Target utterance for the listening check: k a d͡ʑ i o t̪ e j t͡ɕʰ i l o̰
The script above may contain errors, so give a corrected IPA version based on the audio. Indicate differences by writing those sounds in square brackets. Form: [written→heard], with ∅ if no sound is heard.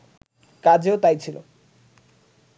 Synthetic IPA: k a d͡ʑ [i→e] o t̪ [e→a] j t͡ɕʰ i l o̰